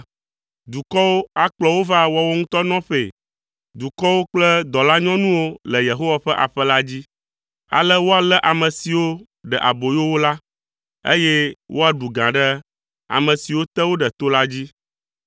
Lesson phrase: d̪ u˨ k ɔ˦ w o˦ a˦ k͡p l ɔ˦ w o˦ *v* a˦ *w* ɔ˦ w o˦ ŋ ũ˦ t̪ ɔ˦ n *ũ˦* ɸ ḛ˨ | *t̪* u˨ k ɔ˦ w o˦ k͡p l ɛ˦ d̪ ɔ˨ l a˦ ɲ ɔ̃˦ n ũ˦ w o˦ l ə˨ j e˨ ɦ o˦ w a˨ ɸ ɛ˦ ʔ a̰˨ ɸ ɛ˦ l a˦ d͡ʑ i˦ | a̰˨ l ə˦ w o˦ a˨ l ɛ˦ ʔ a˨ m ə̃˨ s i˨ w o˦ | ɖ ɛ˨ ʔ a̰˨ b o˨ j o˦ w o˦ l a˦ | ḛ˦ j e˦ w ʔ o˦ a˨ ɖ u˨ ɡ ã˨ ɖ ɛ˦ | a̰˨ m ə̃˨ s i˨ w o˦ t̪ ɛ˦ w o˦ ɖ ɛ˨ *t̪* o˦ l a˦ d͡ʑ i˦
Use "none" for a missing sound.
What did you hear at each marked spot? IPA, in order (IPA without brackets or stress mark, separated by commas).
v, w, ɔ̃˦, d̪, t̪